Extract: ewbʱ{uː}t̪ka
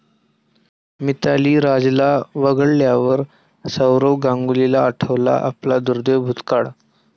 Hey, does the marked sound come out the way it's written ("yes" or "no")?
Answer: no